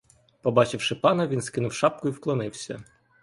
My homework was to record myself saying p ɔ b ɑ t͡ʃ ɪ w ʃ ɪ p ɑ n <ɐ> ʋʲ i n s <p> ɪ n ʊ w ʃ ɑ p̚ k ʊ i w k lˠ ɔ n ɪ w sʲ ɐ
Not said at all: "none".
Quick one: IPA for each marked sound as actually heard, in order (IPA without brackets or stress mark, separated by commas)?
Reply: ɐ, k